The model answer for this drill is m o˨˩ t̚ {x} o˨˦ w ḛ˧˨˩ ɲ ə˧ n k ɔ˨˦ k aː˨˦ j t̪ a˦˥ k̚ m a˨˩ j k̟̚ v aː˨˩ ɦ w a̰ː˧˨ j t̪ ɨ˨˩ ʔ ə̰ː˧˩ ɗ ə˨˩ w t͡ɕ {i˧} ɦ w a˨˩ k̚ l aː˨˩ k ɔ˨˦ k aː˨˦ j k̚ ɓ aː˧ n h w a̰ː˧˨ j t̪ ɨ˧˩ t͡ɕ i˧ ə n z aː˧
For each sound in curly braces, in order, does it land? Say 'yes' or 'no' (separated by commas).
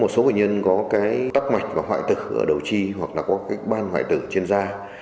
no, yes